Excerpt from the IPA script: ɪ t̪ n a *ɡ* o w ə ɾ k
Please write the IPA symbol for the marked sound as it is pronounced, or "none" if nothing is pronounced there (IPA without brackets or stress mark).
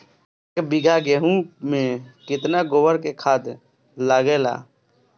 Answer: ɡ